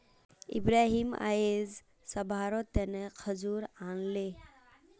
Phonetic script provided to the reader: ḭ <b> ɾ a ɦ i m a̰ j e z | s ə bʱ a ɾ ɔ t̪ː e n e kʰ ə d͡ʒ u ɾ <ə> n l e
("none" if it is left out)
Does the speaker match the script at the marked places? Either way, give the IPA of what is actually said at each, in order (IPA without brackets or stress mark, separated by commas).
b, a